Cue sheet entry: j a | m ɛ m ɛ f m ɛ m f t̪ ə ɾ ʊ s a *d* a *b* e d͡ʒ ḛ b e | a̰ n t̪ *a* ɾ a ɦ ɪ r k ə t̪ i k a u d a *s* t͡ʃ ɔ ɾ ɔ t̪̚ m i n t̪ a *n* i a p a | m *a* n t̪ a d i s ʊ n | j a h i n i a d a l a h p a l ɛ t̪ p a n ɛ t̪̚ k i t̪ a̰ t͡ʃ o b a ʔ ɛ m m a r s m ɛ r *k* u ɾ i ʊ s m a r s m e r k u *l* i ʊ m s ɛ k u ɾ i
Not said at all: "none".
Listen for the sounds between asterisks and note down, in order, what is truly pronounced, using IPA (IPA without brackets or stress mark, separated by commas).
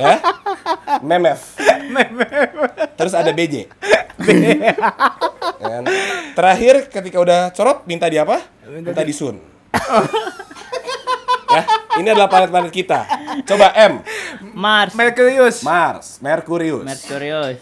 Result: d, b, ə, h, d, i, k, ɾ